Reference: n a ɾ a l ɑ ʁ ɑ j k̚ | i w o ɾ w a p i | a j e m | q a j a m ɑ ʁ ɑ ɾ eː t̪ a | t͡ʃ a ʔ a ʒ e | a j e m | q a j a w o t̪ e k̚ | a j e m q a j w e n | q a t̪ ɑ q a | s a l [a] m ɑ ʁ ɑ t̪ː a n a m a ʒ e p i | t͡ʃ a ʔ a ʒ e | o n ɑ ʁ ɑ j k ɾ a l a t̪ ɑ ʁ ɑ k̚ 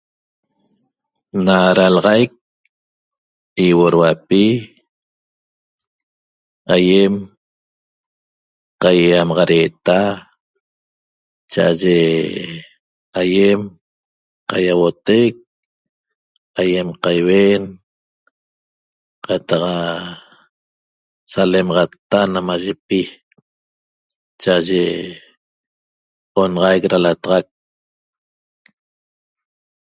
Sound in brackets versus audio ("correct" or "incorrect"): incorrect